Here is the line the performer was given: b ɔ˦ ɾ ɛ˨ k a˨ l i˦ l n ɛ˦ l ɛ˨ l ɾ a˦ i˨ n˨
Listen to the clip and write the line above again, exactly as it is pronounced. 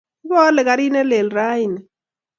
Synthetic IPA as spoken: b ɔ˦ l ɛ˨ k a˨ ɾ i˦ n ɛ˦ l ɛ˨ l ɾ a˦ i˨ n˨